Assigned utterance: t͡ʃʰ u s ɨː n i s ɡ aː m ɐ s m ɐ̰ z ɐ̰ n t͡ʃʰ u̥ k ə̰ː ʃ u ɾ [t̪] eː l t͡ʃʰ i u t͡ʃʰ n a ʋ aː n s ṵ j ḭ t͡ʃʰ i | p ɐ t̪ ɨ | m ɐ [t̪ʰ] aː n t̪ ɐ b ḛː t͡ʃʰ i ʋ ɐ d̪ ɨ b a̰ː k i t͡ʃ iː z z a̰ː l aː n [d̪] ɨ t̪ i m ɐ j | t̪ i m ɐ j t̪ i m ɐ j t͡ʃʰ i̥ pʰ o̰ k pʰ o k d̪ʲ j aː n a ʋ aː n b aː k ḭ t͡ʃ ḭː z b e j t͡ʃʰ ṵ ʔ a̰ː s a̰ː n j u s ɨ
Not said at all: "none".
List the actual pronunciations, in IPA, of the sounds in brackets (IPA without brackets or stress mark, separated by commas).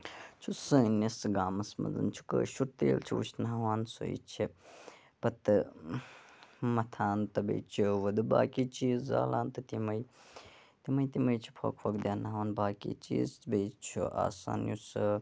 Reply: t̪, t̪ʰ, t̪